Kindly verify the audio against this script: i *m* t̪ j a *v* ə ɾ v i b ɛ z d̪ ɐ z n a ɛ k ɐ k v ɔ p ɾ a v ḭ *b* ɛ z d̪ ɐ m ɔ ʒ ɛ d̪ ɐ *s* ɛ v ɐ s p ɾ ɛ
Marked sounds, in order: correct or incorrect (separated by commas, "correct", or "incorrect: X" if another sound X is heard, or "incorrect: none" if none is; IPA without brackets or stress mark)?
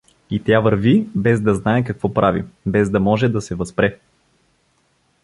incorrect: none, correct, correct, correct